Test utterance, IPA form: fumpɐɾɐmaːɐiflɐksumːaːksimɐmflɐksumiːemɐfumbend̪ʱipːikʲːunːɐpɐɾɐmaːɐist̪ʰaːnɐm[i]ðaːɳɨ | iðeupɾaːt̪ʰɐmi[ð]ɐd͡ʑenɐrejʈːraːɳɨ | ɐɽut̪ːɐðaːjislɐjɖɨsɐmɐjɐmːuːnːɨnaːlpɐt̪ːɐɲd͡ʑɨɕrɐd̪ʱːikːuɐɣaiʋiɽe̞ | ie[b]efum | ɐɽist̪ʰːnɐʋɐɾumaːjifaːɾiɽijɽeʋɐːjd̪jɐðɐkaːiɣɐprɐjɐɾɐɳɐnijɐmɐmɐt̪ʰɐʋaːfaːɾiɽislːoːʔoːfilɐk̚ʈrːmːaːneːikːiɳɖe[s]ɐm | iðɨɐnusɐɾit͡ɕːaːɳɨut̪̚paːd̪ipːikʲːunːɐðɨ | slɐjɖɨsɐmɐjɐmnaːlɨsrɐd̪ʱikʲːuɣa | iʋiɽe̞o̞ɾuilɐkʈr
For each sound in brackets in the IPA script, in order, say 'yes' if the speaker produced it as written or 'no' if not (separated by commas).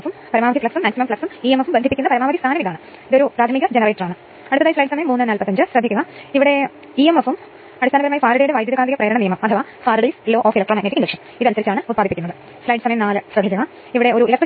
yes, no, no, no